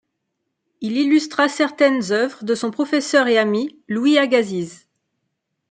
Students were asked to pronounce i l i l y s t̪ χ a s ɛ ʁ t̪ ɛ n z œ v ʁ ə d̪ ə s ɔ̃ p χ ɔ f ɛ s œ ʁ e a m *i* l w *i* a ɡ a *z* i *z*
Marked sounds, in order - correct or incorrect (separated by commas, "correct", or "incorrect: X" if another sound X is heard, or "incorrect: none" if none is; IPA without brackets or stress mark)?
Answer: correct, correct, correct, correct